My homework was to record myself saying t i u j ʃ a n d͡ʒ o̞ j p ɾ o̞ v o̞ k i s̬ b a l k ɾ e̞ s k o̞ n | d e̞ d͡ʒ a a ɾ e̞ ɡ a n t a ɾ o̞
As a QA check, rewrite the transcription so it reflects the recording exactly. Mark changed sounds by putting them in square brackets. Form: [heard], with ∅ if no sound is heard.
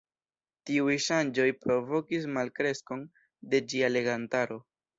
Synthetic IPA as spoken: t i u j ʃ a n d͡ʒ o̞ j p ɾ o̞ v o̞ k i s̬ [m] a l k ɾ e̞ s k o̞ n | d e̞ d͡ʒ [i] a [l] e̞ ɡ a n t a ɾ o̞